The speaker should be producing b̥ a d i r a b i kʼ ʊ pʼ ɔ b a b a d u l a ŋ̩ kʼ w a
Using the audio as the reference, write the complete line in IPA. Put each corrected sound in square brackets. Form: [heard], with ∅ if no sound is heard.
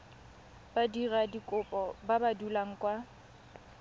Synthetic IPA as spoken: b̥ a d i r a [d] i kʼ ʊ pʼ ɔ b a b a d u l a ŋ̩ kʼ w a